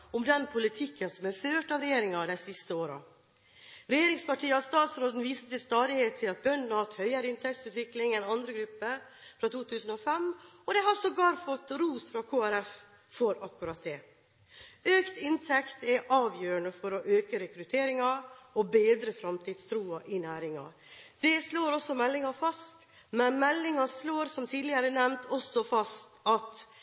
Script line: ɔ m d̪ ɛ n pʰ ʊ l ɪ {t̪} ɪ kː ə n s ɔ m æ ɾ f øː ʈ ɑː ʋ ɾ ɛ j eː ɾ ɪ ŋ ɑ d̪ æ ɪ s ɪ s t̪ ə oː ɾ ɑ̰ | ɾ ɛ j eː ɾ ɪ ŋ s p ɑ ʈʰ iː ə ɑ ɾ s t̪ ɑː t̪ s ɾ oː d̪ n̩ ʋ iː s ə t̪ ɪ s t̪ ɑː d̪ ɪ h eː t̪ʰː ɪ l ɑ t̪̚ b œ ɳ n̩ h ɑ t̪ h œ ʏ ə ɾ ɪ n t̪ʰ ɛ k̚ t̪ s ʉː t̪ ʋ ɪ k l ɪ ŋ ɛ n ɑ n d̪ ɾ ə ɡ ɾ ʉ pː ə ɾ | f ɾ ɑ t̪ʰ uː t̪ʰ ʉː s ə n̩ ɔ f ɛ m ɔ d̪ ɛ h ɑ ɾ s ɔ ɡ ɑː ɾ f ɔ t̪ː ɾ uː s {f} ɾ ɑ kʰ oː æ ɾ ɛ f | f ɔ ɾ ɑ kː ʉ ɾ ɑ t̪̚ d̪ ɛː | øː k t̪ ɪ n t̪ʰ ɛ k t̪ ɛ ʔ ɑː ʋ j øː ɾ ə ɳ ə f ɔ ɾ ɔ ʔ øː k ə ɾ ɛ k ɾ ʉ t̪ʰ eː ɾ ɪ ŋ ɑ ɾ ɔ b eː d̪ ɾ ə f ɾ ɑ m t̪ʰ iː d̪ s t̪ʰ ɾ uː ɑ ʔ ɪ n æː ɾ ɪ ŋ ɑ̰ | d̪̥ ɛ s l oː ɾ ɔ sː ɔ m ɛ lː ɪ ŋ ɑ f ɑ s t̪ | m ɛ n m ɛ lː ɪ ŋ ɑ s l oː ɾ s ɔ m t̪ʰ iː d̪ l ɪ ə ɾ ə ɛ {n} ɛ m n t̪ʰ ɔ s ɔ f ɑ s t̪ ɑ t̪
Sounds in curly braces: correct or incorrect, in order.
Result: incorrect, correct, correct

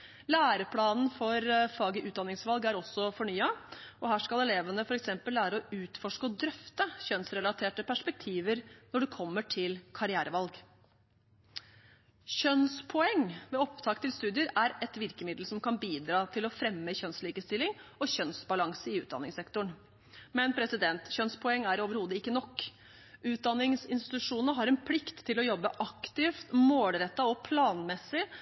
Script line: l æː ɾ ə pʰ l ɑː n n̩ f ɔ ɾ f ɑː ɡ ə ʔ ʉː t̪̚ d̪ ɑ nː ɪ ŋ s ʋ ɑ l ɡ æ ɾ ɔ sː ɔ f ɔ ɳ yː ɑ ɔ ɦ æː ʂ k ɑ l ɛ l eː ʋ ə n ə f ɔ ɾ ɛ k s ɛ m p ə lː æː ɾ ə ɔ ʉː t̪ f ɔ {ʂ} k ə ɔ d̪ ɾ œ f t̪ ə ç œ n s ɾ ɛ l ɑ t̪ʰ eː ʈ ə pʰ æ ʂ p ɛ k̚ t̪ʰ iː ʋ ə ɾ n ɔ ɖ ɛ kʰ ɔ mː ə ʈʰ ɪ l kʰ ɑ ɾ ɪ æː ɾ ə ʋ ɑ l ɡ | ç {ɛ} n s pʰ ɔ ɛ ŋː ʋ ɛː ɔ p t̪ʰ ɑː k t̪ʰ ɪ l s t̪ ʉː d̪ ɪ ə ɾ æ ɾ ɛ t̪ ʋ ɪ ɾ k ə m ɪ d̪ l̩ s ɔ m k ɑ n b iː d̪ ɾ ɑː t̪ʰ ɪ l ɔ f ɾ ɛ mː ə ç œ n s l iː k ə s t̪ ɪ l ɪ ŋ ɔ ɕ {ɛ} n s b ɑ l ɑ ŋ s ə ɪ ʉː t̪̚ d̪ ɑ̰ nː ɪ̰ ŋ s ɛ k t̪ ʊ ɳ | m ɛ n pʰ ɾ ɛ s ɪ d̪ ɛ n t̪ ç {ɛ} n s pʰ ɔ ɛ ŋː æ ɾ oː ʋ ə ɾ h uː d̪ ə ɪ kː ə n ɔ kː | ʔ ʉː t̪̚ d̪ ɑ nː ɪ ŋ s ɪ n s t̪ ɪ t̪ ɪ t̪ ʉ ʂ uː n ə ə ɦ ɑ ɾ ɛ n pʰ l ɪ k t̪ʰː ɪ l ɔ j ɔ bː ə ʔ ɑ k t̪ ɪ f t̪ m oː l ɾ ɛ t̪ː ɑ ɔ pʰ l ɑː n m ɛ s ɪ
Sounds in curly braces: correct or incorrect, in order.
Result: correct, incorrect, incorrect, incorrect

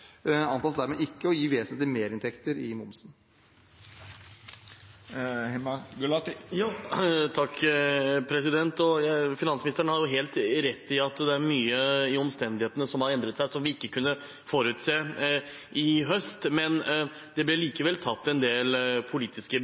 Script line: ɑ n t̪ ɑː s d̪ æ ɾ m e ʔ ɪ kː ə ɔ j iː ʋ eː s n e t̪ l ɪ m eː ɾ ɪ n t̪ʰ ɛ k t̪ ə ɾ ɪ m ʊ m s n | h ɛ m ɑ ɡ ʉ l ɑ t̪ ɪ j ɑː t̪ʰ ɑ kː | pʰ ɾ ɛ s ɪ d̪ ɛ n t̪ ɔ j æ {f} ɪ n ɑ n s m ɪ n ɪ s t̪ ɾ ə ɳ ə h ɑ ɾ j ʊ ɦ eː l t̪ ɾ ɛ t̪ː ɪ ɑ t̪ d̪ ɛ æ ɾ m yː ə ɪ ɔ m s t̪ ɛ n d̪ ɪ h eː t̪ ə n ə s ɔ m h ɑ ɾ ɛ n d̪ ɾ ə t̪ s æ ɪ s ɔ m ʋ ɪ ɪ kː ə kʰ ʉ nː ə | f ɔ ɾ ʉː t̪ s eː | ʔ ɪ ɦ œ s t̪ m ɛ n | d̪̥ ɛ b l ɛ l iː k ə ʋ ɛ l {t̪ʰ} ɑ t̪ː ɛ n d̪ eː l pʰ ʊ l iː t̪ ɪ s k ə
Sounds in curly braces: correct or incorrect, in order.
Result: correct, correct

